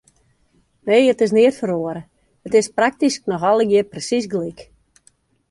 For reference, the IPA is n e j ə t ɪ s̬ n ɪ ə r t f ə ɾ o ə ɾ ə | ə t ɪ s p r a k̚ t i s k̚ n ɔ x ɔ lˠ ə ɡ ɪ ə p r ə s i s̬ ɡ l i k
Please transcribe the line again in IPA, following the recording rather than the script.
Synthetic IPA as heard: n e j ə t ɪ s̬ n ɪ ə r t f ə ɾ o ə ɾ ə | ə t ɪ s p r a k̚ t i s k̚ n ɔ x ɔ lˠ ə ɡ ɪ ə p r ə s i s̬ ɡ l i k